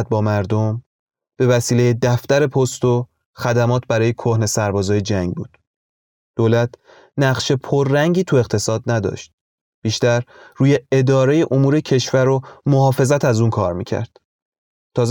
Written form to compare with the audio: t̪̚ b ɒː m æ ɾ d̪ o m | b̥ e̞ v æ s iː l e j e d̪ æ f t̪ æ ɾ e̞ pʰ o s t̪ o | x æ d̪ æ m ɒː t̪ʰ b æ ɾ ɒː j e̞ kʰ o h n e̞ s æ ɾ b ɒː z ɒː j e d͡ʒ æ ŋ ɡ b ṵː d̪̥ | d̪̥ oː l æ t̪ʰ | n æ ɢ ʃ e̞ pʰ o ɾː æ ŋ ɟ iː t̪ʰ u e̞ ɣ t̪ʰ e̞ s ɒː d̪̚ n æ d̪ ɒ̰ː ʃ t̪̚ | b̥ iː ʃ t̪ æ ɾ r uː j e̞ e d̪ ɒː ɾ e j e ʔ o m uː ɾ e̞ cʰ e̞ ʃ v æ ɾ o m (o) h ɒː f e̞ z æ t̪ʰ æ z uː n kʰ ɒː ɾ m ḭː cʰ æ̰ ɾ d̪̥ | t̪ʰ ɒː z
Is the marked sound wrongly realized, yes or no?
no